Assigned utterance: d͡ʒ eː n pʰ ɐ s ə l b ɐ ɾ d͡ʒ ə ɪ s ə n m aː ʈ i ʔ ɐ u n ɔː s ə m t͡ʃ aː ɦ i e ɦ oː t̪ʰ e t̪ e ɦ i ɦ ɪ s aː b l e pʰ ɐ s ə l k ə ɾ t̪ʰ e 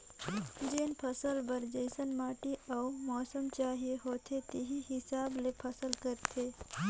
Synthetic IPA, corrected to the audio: d͡ʒ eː n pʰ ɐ s ə l b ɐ ɾ d͡ʒ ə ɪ s ə n m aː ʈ i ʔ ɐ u m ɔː s ə m t͡ʃ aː ɦ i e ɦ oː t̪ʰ e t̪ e ɦ i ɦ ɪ s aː b l e pʰ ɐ s ə l k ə ɾ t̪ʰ e